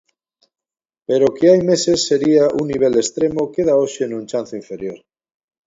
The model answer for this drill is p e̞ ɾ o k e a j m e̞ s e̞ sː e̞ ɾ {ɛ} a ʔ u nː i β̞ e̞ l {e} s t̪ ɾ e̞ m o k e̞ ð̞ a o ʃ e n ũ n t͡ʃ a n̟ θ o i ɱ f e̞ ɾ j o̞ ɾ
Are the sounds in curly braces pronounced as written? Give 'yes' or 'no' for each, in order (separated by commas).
no, yes